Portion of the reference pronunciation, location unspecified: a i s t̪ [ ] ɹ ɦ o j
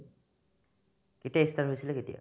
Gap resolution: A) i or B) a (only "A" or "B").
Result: B